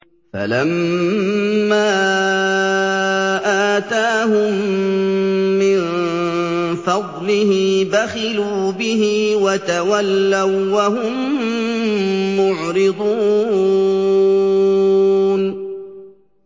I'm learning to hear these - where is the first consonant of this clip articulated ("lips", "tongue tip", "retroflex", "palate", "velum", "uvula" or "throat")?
lips